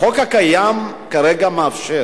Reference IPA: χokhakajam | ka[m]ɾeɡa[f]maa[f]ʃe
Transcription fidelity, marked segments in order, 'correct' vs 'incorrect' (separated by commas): incorrect, incorrect, correct